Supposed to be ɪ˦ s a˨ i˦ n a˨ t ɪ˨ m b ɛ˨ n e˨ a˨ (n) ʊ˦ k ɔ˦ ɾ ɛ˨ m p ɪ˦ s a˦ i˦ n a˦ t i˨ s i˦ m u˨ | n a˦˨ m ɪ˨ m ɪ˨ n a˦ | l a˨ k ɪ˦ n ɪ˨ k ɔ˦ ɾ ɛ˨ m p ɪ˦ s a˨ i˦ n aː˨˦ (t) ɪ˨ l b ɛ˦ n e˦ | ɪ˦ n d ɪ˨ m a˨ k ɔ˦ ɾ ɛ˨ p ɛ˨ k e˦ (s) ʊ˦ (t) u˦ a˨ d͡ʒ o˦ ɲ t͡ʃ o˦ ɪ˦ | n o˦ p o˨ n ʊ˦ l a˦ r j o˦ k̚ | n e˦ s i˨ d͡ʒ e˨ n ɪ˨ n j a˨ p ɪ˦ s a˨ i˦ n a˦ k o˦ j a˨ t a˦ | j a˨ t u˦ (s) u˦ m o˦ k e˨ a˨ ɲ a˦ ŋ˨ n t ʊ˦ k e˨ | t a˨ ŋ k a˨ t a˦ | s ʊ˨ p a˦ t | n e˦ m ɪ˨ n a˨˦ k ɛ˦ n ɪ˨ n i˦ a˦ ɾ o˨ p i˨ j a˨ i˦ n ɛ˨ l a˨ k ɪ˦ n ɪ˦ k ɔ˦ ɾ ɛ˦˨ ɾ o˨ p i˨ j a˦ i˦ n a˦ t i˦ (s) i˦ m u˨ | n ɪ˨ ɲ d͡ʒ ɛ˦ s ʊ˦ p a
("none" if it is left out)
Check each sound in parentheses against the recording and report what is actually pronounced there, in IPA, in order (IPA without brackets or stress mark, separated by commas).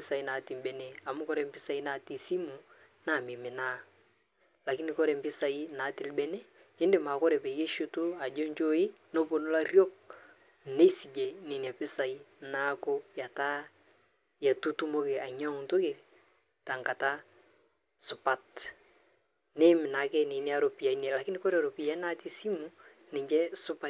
m, t, ʃ, t, t, s